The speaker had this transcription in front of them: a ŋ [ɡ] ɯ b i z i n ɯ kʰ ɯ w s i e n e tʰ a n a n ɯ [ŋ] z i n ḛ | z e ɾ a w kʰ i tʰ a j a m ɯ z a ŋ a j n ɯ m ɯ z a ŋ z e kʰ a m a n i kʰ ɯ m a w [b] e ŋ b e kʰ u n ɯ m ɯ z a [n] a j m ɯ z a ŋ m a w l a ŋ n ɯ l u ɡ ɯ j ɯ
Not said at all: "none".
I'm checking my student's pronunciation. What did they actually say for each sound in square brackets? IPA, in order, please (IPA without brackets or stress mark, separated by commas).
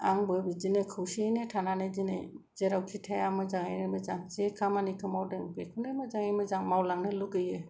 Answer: b, none, d, ŋ